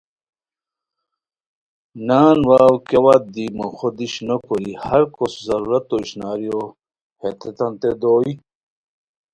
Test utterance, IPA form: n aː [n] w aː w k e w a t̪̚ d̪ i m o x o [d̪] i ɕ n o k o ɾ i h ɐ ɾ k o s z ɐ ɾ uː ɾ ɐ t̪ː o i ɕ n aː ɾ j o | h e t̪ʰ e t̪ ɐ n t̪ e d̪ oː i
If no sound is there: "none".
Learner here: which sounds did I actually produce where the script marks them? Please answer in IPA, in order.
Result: n, d̪

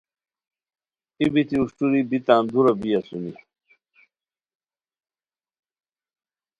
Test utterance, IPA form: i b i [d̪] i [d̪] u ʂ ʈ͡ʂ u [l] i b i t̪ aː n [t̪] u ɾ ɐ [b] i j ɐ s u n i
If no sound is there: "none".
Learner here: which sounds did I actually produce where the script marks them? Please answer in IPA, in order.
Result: t̪, none, ɾ, d̪, b

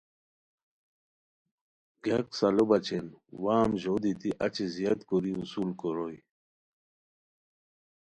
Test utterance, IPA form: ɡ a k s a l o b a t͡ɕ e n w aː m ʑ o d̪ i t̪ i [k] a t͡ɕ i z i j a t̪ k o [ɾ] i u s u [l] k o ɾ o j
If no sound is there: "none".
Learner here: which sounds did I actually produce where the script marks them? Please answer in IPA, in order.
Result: ʔ, ɾ, l

